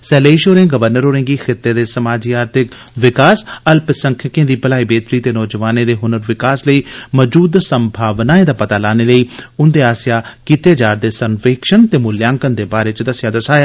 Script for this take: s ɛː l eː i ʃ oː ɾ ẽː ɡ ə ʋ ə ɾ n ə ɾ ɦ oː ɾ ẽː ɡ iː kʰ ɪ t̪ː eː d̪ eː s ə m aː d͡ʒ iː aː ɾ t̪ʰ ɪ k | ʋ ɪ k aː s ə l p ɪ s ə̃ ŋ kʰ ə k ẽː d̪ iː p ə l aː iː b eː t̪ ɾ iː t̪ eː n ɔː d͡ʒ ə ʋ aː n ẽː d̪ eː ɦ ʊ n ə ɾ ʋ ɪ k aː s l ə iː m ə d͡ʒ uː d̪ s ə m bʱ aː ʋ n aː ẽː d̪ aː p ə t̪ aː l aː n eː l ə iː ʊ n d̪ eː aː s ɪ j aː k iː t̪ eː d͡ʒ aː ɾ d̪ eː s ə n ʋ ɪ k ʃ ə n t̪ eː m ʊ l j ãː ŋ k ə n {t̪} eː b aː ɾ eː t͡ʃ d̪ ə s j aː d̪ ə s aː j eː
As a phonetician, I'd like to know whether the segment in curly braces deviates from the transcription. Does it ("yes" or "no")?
yes